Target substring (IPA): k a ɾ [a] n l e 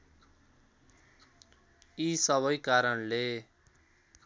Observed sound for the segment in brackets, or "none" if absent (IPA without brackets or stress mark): ʌ